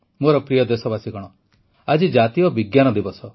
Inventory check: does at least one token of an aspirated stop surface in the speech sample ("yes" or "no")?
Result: no